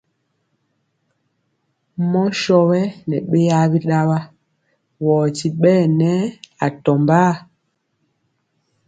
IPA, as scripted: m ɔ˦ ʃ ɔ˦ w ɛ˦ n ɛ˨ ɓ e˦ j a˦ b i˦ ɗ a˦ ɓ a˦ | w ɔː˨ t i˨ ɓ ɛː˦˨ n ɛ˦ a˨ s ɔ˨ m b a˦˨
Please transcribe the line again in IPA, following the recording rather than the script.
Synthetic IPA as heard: m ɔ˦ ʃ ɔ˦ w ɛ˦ n ɛ˨ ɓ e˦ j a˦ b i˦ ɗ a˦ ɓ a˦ | w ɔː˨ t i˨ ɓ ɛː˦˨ n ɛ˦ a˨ t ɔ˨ m b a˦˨

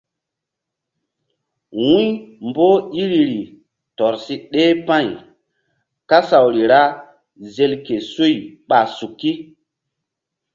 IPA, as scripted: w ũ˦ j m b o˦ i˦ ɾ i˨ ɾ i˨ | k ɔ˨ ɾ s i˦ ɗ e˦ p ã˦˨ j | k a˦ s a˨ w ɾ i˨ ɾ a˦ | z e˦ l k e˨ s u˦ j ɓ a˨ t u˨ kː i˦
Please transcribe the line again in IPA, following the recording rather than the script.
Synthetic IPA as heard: w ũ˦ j m b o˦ i˦ ɾ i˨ ɾ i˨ | t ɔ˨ ɾ s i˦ ɗ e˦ p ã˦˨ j | k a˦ s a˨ w ɾ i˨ ɾ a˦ | z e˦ l k e˨ s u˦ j ɓ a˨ s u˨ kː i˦

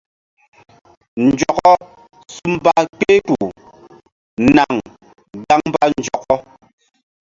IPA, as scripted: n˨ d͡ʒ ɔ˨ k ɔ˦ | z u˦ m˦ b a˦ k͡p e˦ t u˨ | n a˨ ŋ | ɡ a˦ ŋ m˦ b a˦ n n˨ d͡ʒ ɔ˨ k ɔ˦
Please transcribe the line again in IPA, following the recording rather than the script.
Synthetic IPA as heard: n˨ d͡ʒ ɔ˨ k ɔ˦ | s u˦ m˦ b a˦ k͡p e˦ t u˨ | n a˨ ŋ | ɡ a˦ ŋ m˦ b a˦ n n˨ d͡ʒ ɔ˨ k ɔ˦

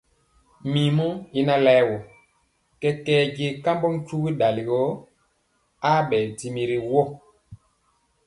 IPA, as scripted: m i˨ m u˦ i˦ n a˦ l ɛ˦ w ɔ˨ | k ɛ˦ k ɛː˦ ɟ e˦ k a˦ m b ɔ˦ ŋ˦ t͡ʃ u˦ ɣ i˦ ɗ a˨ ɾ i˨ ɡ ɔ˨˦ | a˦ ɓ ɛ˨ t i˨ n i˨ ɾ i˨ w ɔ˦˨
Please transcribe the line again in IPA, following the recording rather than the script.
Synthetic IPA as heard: m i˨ m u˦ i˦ n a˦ l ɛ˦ w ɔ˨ | k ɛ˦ k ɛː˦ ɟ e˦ k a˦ m b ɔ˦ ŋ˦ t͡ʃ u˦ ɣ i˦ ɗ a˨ l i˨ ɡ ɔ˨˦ | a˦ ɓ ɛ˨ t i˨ m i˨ ɾ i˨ w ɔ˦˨

